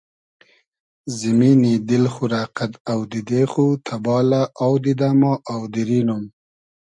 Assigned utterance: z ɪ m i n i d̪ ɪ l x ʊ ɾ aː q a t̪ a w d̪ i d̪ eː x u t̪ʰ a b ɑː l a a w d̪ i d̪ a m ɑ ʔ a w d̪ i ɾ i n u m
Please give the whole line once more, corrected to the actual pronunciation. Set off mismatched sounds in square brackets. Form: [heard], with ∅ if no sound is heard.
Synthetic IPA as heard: z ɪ m i n i d̪ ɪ l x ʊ ɾ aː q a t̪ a w d̪ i d̪ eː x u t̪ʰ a b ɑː l a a w d̪ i d̪ a m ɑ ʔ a w d̪ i ɾ i n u m